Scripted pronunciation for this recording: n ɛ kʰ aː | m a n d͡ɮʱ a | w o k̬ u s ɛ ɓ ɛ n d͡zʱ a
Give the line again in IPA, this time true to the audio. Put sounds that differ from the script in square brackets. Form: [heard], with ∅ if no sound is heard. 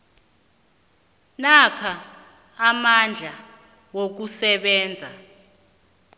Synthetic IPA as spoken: n [a] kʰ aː | m a n d͡ɮʱ a | w o k̬ u s ɛ ɓ [ɛː] n d͡zʱ a